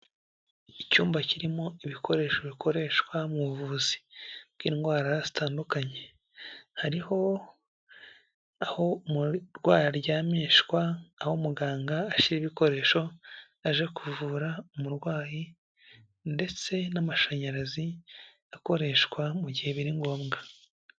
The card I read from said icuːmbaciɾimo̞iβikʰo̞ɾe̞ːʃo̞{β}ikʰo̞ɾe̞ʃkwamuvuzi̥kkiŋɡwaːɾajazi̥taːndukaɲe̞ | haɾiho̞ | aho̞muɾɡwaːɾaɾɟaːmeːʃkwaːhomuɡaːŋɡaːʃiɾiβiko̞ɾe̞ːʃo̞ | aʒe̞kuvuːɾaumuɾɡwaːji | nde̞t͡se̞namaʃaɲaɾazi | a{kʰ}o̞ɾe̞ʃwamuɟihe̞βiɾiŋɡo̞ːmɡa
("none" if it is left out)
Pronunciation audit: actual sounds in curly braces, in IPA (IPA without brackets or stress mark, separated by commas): β, k